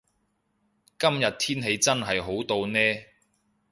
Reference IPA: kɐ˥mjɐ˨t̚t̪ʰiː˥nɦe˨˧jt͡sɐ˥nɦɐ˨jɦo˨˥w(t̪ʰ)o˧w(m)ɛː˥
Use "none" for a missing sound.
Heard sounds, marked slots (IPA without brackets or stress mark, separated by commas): t̪, n